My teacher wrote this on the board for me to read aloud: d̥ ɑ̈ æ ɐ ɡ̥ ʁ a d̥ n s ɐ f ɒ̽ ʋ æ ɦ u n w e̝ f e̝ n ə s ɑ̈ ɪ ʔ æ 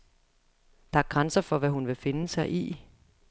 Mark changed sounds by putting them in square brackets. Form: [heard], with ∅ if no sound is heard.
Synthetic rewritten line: d̥ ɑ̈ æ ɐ ɡ̥ ʁ a [∅] n s ɐ f ɒ̽ ʋ æ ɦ u n [ʋ] e̝ f e̝ n ə s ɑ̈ ɪ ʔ [i]